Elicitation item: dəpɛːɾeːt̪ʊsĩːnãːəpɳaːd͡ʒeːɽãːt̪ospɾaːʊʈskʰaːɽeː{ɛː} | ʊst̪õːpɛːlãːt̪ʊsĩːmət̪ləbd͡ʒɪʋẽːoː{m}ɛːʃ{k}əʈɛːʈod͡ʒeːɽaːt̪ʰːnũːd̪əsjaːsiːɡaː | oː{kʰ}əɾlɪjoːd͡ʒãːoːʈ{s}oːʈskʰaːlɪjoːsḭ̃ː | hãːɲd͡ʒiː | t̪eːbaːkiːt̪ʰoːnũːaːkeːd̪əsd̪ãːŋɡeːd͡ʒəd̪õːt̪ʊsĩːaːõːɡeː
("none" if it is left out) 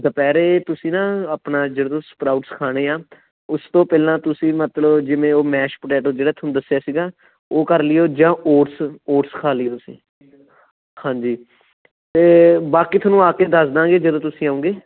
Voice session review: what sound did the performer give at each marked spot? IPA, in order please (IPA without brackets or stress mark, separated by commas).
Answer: aː, m, p, k, s